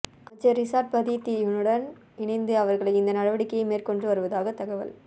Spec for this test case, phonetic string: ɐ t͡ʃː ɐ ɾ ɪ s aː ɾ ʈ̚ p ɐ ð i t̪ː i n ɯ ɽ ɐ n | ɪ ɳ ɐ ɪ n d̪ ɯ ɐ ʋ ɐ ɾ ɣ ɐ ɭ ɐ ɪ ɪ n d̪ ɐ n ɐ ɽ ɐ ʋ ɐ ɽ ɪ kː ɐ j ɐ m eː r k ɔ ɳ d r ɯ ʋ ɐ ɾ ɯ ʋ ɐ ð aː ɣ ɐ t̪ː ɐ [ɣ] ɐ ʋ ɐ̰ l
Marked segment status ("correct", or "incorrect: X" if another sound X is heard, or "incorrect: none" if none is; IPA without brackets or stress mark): correct